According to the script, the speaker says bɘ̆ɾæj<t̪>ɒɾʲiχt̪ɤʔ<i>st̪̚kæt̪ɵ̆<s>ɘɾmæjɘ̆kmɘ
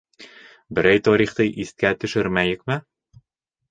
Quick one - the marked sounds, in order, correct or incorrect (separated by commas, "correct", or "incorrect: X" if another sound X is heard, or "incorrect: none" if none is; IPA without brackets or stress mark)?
correct, correct, incorrect: ʃ